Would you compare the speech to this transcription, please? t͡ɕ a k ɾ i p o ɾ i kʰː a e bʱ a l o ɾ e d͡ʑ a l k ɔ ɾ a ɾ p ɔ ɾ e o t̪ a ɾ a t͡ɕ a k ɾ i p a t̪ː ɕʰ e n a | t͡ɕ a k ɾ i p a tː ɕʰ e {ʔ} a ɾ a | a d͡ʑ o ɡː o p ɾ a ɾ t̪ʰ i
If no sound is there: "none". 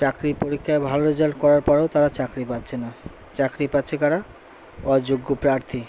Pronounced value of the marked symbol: k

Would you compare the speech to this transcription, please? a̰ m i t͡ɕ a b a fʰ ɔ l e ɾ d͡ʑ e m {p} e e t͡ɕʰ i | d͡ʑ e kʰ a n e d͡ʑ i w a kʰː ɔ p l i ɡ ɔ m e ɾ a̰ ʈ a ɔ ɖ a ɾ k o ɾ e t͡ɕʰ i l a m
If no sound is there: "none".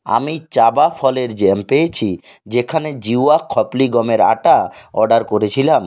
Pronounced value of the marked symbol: p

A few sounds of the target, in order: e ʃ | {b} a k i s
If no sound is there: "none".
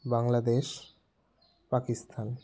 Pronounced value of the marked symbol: p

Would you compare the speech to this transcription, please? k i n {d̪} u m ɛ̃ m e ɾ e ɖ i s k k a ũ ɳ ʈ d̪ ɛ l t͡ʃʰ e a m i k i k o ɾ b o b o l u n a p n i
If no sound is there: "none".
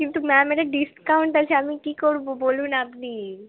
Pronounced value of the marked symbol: t̪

